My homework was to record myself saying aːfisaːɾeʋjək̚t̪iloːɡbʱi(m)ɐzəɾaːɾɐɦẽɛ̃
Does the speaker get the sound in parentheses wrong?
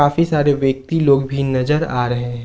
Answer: yes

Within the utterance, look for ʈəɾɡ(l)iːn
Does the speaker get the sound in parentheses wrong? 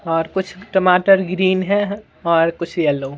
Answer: yes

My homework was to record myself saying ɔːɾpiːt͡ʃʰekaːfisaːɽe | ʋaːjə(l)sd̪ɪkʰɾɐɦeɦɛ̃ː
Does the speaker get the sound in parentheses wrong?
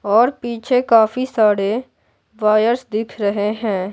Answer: yes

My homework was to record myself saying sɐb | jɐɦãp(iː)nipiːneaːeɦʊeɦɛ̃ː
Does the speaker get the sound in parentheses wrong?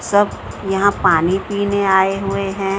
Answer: yes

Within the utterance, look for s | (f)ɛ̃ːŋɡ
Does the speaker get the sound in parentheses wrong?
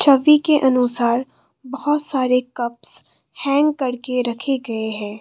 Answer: yes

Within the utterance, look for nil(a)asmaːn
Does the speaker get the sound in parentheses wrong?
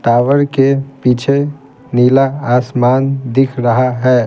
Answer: no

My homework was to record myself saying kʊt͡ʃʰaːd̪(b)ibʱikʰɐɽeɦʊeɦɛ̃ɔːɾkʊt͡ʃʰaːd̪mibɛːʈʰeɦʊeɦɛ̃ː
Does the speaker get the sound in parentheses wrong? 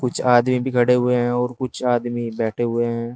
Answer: yes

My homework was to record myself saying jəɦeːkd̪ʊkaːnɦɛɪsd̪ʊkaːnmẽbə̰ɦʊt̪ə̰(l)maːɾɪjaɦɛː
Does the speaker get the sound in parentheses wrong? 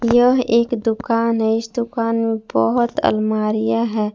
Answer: no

